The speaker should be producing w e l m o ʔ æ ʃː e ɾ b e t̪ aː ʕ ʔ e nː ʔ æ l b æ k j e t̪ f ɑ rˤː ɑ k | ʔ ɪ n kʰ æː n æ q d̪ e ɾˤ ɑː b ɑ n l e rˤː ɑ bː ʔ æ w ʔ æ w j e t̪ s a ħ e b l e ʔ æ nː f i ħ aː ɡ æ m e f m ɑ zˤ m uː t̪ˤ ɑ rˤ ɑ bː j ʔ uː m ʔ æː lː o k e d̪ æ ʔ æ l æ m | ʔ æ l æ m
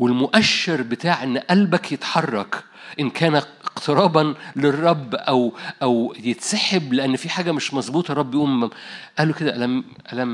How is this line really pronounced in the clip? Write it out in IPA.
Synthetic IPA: w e l m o ʔ æ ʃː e ɾ b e t̪ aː ʕ ʔ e nː ʔ æ l b æ k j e t̪ ħ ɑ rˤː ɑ k | ʔ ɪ n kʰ æː n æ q t̪ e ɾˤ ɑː b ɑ n l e rˤː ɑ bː ʔ æ w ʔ æ w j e t̪ s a ħ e b l e ʔ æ nː f i ħ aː ɡ æ m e ʃ m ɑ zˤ b uː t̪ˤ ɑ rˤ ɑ bː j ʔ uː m ʔ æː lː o k e d̪ æ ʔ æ l æ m | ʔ æ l æ m